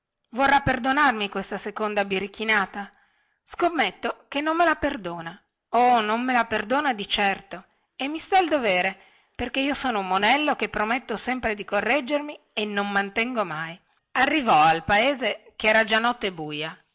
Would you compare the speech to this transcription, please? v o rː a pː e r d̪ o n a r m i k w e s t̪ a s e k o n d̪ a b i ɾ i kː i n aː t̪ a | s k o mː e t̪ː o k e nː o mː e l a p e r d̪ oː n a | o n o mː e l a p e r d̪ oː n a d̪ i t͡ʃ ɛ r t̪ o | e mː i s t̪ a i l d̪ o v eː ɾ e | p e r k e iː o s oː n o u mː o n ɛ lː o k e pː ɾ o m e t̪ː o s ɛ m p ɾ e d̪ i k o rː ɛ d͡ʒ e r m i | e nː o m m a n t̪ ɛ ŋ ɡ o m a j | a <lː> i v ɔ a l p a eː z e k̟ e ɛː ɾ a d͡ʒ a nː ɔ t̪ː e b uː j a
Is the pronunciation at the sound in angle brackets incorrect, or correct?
incorrect